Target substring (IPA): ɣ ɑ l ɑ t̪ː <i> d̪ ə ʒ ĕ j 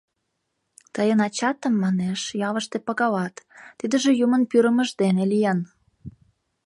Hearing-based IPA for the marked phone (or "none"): i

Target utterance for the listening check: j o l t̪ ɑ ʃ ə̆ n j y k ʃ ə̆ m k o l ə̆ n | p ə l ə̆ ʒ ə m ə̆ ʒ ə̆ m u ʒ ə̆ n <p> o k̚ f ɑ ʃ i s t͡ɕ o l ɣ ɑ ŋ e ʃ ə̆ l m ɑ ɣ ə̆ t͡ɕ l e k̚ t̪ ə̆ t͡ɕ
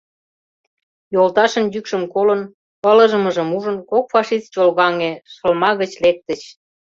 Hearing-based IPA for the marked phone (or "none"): k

